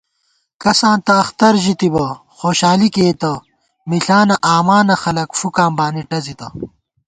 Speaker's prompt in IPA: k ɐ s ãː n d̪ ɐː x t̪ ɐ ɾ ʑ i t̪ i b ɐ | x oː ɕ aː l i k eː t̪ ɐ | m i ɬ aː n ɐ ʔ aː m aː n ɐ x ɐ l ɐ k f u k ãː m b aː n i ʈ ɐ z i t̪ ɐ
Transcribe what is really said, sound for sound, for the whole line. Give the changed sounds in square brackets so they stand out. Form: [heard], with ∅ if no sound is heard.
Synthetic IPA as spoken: k ɐ s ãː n [t̪] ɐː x t̪ ɐ ɾ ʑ i t̪ i b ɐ | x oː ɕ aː l i k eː t̪ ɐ | m i ɬ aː n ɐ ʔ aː m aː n ɐ x ɐ l ɐ k f u k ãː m b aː n i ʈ ɐ z i t̪ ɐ